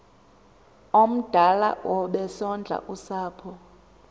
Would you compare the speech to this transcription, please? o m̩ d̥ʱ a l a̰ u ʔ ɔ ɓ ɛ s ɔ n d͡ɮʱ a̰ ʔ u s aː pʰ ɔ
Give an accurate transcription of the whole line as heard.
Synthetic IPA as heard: o m̩ d̥ʱ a l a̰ w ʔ ɔ ɓ ɛ s ɔ n d͡ɮʱ a̰ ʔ u s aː pʰ ɔ